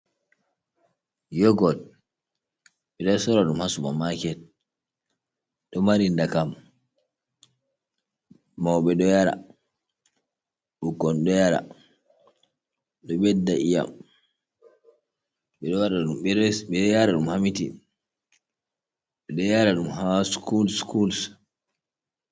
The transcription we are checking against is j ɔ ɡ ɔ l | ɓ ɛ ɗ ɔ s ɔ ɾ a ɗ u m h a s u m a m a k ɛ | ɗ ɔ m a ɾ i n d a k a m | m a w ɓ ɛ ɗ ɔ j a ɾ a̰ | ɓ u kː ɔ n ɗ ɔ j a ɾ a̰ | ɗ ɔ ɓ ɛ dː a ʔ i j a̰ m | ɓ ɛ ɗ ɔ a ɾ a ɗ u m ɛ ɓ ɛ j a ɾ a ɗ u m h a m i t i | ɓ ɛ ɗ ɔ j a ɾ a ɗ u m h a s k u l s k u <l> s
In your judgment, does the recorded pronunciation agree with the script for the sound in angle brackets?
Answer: yes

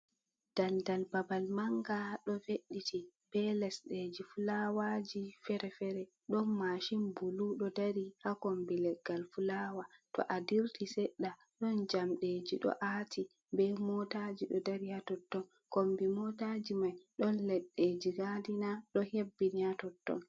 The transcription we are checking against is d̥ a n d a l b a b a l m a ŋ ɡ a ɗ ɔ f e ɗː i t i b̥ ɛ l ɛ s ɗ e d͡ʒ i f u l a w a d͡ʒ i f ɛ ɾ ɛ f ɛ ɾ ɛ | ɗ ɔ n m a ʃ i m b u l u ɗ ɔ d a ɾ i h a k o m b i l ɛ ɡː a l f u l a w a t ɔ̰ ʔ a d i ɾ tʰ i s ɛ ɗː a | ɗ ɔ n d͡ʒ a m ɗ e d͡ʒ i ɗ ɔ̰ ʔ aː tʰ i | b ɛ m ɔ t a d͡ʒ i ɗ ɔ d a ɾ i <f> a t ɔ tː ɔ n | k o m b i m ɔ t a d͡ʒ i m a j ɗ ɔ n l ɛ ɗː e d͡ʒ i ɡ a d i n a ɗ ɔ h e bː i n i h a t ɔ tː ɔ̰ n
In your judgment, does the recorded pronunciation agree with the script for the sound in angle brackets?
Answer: no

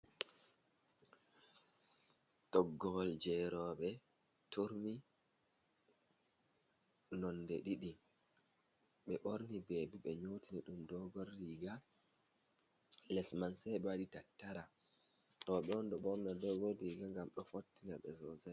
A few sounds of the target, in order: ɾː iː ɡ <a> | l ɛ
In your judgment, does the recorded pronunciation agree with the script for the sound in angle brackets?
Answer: yes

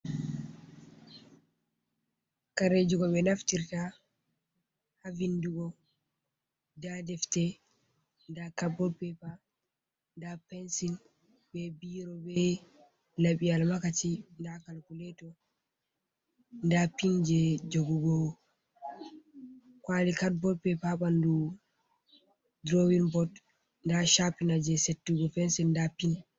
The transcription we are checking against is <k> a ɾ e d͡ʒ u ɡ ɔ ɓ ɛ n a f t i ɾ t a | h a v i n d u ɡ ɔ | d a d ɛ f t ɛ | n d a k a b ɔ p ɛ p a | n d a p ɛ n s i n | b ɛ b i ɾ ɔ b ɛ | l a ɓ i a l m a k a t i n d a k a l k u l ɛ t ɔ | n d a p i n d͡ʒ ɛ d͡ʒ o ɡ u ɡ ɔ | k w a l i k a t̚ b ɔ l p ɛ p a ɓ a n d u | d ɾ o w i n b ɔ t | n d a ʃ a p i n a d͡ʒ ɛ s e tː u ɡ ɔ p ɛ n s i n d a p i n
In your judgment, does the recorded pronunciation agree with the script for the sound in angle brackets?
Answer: yes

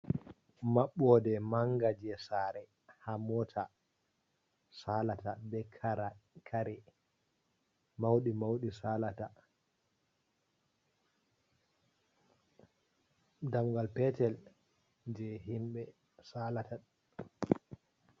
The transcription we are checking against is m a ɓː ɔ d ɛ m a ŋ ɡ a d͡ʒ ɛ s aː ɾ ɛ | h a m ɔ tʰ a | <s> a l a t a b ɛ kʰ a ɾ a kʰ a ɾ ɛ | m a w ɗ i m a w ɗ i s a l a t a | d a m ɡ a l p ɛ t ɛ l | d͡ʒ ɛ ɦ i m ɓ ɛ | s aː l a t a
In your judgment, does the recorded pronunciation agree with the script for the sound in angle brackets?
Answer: yes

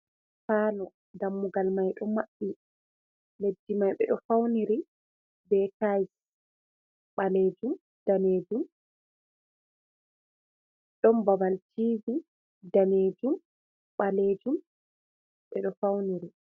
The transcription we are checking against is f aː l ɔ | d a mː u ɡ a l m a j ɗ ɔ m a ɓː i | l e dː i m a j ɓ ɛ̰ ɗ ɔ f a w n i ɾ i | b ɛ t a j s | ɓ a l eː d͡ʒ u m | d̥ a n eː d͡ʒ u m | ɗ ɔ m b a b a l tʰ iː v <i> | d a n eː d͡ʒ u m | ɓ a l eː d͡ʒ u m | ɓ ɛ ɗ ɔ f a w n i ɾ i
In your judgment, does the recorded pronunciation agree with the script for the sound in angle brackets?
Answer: yes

